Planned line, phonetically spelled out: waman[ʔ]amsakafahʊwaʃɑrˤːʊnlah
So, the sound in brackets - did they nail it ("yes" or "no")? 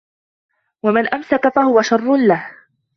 yes